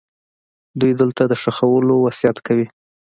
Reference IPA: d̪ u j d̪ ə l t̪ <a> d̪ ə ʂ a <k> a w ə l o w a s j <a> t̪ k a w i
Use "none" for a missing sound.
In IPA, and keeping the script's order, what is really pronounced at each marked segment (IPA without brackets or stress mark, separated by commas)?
a, x, a